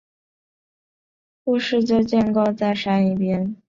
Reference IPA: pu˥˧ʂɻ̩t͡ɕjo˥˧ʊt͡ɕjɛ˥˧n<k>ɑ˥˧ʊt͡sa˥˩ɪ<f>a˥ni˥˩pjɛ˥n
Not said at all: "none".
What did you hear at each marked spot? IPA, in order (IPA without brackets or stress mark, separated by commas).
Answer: k, ʂ